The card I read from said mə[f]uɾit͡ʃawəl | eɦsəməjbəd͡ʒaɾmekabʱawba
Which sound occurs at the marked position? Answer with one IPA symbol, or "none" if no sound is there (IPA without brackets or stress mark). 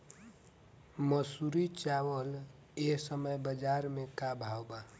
s